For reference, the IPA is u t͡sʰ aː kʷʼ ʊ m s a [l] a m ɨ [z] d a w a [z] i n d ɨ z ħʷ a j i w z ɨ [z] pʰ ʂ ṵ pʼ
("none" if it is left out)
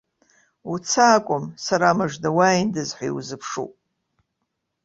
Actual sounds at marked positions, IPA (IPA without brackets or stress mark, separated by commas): ɾ, ʐ, none, none